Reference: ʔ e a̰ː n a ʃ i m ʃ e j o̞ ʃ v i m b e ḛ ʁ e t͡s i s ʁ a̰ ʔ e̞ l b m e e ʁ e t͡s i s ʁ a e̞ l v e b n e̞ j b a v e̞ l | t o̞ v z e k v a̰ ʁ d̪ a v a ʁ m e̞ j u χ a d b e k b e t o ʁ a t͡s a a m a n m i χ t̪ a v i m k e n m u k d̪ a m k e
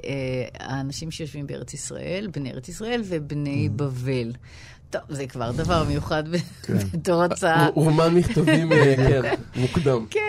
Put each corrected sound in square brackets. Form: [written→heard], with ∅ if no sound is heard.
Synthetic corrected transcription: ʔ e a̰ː n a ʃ i m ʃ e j o̞ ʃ v i m b e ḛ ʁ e t͡s i s ʁ a̰ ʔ e̞ l b [m→n] e e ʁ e t͡s i s ʁ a e̞ l v e b n e̞ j b a v e̞ l | t o̞ v z e k v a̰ ʁ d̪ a v a ʁ m e̞ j u χ a d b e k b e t o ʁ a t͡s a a m a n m i χ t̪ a v i m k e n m u k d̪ a m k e